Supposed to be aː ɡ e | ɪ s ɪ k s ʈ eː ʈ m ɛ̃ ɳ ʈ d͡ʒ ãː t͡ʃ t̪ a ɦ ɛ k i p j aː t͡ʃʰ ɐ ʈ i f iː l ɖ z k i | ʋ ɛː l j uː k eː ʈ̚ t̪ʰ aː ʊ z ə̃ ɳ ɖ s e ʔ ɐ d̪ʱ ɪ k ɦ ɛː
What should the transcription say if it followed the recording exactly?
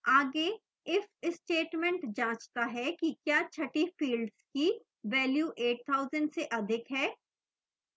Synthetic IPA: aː ɡ e | ɪ f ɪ s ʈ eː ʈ m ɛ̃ ɳ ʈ d͡ʒ ãː t͡ʃ t̪ a ɦ ɛ k i k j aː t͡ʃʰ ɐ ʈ i f iː l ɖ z k i | ʋ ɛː l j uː ʔ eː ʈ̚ t̪ʰ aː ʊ z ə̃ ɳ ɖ s e ʔ ɐ d̪ʱ ɪ k ɦ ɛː